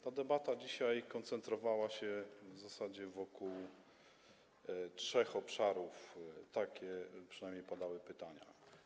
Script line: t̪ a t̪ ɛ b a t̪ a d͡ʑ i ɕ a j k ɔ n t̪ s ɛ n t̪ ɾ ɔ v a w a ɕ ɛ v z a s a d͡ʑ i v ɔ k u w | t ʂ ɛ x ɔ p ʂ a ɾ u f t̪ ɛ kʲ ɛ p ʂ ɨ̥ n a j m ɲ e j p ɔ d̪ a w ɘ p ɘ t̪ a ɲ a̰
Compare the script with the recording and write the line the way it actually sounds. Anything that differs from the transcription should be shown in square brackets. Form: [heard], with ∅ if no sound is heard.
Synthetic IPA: t̪ a [d̪] ɛ b a t̪ a d͡ʑ i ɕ a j k ɔ n t̪ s ɛ n t̪ ɾ ɔ v a w a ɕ ɛ v z a s a d͡ʑ [ɛ] v ɔ k u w | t ʂ ɛ x ɔ p ʂ a ɾ u f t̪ [a] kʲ ɛ p ʂ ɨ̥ n a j m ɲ e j p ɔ d̪ a w ɘ p ɘ t̪ a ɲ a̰